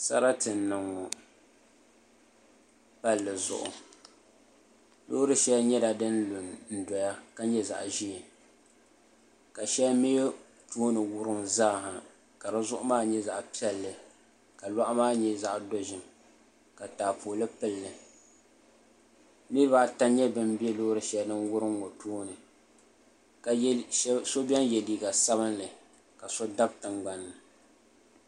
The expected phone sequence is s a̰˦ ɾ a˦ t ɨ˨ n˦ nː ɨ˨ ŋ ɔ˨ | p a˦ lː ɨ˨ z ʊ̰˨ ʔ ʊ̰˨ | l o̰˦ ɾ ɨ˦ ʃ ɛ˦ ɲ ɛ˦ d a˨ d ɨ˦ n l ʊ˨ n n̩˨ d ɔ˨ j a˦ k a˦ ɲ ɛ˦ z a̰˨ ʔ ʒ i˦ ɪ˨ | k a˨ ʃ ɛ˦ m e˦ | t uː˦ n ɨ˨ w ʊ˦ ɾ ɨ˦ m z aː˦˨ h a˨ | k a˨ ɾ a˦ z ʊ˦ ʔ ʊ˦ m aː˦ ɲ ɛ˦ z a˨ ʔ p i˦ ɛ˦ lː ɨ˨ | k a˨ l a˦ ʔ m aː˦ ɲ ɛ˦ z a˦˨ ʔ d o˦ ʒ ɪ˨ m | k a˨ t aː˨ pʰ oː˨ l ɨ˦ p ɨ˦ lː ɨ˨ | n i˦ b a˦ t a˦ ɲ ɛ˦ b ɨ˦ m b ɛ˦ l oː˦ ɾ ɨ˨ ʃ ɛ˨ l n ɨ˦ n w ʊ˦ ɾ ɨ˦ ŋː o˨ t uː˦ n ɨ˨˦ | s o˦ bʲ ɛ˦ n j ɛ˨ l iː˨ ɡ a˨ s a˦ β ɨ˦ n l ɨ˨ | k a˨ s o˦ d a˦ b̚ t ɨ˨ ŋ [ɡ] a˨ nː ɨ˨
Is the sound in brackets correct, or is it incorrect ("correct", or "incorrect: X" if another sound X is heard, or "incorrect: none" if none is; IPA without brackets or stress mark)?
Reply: incorrect: ɡ͡b